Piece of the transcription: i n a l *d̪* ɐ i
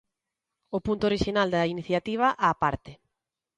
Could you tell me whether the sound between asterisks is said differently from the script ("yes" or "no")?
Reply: no